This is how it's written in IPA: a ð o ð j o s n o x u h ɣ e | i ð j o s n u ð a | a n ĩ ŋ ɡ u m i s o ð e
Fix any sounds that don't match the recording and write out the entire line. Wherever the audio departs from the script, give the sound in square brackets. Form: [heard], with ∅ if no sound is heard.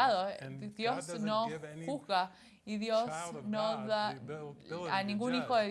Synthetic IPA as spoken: a ð o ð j o s n o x u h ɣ [a] | i ð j o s n [o] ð a | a n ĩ ŋ ɡ u [n] i [x] o ð e